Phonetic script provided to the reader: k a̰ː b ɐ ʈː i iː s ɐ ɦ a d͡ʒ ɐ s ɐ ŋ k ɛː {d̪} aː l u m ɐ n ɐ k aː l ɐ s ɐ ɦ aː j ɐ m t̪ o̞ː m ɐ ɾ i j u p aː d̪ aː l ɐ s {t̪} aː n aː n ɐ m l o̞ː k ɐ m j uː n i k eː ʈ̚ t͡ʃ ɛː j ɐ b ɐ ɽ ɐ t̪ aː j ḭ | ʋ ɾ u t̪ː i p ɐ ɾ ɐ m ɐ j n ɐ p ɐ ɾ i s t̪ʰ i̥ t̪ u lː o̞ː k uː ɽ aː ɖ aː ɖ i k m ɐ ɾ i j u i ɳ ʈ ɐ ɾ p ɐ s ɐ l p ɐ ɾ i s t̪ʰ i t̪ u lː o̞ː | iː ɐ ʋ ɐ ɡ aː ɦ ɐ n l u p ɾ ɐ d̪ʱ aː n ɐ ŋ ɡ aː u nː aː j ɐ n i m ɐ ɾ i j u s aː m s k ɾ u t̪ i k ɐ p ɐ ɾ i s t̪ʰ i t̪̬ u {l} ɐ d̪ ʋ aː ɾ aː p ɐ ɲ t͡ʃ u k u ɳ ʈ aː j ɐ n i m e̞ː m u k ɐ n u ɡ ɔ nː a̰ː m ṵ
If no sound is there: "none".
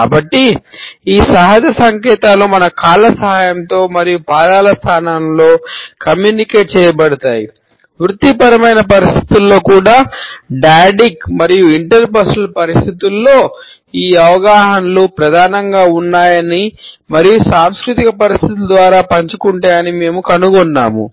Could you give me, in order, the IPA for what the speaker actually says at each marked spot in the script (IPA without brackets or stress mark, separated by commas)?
t̪, t̪ʰ, l